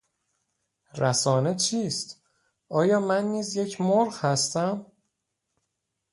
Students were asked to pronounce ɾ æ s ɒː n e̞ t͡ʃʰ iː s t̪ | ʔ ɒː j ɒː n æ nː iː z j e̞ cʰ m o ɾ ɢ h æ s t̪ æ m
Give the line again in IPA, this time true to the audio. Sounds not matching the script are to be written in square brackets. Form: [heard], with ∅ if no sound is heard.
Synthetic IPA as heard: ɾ æ s ɒː n e̞ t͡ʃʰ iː s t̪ | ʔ ɒː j ɒː [m] æ nː iː z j e̞ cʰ m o ɾ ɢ h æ s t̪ æ m

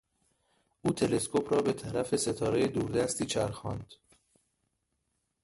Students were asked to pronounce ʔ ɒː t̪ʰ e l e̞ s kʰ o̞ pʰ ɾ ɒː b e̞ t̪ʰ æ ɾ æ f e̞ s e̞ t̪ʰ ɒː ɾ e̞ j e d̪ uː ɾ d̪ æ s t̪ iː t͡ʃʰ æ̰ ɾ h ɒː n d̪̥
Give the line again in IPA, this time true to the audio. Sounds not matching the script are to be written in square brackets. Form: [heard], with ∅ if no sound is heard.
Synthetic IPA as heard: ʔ [uː] t̪ʰ e l e̞ s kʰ o̞ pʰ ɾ ɒː b e̞ t̪ʰ æ ɾ æ f e̞ s e̞ t̪ʰ ɒː ɾ e̞ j e d̪ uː ɾ d̪ æ s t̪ iː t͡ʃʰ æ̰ ɾ [x] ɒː n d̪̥

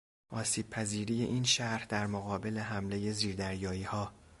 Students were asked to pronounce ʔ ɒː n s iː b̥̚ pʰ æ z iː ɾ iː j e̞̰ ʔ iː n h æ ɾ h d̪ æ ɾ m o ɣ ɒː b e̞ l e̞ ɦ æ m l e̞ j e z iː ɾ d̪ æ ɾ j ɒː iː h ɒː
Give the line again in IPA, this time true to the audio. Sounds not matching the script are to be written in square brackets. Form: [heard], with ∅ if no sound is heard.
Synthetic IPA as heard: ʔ ɒː [∅] s iː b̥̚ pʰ æ z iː ɾ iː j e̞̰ ʔ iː n [ʃ] æ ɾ h d̪ æ ɾ m o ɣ ɒː b e̞ l e̞ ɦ æ m l e̞ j e z iː ɾ d̪ æ ɾ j ɒː iː h ɒː

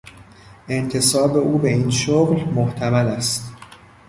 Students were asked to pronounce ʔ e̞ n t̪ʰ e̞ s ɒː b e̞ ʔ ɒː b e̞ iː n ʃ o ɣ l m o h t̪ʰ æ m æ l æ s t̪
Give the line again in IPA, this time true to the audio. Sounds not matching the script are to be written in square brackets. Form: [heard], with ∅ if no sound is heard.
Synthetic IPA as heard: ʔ e̞ n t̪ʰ e̞ s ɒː b e̞ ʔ [uː] b e̞ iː n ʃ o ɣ l m o h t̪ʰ æ m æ l æ s t̪

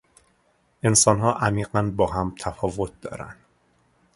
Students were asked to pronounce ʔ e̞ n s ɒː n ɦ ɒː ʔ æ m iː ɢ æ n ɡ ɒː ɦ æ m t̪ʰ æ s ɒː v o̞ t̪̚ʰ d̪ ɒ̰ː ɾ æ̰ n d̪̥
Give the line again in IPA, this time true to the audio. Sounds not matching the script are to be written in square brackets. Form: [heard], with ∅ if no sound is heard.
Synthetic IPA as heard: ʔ e̞ n s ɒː n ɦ ɒː ʔ æ m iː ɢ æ n [b] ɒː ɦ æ m t̪ʰ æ [f] ɒː v o̞ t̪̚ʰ d̪ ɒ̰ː ɾ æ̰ n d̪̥

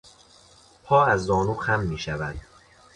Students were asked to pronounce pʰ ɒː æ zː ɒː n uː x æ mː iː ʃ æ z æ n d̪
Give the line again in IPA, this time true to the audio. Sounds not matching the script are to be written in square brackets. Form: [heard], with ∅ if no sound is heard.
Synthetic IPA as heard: pʰ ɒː æ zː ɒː n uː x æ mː iː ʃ æ [v] æ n d̪

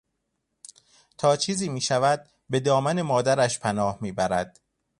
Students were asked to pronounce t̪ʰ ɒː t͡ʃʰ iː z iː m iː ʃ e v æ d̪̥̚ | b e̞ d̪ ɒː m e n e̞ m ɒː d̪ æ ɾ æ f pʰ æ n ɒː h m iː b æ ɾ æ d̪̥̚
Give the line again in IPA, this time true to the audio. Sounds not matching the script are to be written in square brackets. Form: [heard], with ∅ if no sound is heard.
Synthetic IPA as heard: t̪ʰ ɒː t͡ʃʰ iː z iː m iː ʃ [æ] v æ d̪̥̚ | b e̞ d̪ ɒː m [æ] n e̞ m ɒː d̪ æ ɾ æ [ʃ] pʰ æ n ɒː h m iː b æ ɾ æ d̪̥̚

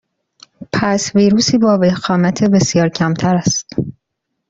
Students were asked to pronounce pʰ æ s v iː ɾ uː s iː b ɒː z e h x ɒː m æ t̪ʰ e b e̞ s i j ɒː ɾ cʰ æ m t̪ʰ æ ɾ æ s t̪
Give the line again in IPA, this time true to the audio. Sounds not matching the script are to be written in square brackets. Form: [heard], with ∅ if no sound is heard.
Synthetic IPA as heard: pʰ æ s v iː ɾ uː s iː b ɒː [v] e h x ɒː m æ t̪ʰ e b e̞ s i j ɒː ɾ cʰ æ m t̪ʰ æ ɾ æ s t̪

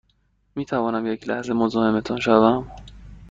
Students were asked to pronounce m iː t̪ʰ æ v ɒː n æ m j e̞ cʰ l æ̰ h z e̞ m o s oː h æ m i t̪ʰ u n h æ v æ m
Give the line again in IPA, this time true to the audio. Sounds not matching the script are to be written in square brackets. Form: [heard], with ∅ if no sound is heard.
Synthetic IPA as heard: m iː t̪ʰ æ v ɒː n æ m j e̞ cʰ l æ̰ h z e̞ m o [z] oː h [e] m [e] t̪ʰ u n [ʃ] æ v æ m

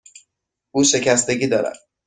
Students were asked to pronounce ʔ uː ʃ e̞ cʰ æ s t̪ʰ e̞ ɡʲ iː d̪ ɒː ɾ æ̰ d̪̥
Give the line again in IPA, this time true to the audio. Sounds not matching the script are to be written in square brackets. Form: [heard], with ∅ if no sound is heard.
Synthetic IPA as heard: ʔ uː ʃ e̞ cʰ æ s [t̪] e̞ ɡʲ iː d̪ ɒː ɾ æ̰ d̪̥

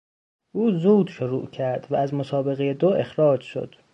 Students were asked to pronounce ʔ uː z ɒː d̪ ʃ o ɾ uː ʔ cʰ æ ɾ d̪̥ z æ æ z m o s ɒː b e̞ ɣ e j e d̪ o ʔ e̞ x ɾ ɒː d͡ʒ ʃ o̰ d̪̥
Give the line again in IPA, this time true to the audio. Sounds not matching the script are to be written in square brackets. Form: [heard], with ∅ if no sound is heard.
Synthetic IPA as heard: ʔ uː z [uː] d̪ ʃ o ɾ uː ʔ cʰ æ ɾ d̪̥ [v] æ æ z m o s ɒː b e̞ ɣ e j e d̪ o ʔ e̞ x ɾ ɒː d͡ʒ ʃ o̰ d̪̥

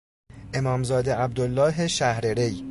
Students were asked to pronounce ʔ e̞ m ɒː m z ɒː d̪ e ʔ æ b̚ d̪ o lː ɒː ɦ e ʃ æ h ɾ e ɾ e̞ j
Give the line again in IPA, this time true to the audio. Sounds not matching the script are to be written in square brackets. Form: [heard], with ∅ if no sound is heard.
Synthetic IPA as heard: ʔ e̞ m ɒː m z ɒː d̪ e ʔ æ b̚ d̪ o lː ɒː ɦ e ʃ æ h ɾ e ɾ e̞ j

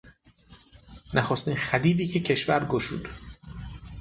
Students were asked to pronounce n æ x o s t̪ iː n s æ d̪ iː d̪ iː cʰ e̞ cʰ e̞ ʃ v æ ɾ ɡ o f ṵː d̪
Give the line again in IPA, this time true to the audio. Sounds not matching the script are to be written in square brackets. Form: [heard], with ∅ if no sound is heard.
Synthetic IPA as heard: n æ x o s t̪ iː n [x] æ d̪ iː d̪ iː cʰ e̞ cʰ e̞ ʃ v æ ɾ ɡ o [ʃ] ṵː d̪

